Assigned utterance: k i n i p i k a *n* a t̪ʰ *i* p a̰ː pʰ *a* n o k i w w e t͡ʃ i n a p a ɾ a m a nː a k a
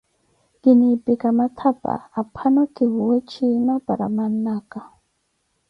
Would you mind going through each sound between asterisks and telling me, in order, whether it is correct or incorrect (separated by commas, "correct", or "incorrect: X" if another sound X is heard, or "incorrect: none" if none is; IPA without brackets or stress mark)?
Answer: incorrect: m, incorrect: a, correct